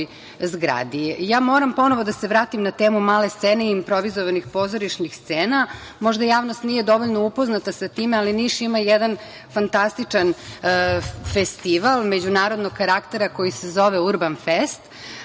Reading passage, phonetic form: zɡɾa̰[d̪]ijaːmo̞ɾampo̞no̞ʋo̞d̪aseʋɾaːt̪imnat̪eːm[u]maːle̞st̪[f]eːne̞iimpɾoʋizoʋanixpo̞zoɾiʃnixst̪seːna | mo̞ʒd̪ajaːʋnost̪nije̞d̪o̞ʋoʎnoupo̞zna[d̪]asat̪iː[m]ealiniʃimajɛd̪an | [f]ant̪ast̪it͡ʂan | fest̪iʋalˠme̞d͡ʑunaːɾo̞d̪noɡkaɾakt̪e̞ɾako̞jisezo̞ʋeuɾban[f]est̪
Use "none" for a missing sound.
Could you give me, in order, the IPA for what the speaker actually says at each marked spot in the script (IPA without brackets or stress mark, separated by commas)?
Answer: d̪, u, s, t̪, m, f, f